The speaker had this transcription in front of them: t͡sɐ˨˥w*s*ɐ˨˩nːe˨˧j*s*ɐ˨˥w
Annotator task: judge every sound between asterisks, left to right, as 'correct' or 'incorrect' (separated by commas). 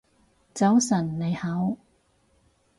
correct, incorrect